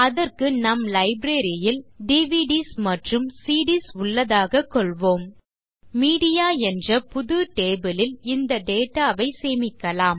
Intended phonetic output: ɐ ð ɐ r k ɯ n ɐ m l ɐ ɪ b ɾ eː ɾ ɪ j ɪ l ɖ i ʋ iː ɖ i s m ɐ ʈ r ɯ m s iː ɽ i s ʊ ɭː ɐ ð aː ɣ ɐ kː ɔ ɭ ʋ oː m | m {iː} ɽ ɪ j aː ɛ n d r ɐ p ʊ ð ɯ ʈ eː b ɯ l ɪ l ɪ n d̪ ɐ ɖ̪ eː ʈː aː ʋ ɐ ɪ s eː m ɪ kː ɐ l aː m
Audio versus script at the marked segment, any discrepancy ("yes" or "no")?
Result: no